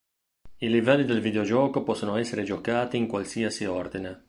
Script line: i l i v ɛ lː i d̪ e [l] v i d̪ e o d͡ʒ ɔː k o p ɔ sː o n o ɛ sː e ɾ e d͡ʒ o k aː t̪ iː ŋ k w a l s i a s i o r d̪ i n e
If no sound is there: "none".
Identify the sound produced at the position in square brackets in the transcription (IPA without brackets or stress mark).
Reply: l